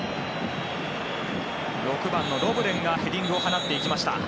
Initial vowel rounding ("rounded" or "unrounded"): rounded